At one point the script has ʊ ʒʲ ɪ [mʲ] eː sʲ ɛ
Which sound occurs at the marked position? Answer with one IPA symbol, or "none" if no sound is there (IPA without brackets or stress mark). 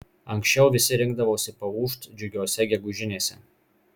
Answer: nʲ